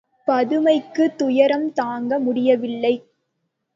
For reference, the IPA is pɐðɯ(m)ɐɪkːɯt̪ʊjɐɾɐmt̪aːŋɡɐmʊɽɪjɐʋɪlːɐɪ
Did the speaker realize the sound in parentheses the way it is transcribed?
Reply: yes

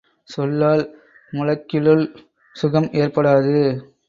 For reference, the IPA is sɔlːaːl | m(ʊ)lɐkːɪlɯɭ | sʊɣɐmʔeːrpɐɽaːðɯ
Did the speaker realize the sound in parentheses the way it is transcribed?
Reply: yes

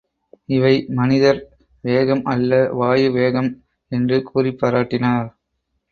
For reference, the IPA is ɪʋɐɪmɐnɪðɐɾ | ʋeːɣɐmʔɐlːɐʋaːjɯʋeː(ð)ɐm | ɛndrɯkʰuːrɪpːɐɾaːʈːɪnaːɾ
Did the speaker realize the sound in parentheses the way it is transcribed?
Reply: no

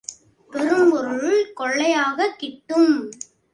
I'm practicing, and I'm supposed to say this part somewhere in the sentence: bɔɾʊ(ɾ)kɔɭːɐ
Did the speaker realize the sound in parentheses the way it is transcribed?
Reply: no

